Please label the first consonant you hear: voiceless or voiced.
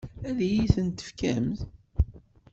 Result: voiced